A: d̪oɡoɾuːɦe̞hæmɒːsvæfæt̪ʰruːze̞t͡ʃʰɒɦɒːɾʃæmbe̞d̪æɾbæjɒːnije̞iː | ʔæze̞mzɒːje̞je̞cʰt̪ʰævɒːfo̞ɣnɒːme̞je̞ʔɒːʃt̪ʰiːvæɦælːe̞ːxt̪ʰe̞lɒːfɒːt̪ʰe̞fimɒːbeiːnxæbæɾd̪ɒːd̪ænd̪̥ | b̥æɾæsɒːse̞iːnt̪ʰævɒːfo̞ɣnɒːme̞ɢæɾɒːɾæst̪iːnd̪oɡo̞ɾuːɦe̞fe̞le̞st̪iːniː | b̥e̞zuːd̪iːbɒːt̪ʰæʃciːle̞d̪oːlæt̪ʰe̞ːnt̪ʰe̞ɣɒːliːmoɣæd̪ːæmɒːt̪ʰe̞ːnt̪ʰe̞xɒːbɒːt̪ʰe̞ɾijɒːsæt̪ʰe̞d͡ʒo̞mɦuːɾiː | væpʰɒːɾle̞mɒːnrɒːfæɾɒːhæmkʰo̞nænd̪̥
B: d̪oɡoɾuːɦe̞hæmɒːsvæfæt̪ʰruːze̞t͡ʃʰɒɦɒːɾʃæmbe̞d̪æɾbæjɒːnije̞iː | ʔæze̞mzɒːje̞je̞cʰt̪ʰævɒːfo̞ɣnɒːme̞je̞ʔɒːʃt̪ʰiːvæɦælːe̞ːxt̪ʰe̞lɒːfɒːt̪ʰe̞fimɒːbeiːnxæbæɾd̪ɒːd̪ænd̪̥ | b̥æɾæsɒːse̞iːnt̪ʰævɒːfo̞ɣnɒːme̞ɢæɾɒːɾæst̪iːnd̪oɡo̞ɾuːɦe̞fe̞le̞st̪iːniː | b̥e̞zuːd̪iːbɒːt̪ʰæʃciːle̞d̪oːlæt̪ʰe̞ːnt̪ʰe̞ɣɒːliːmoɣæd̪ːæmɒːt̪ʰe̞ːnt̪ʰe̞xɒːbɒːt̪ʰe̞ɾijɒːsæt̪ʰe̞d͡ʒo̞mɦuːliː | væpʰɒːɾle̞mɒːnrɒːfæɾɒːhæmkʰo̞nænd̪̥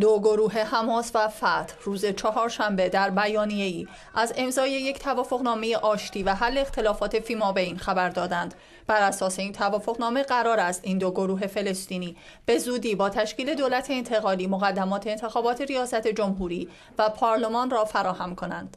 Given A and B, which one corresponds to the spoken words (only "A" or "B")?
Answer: A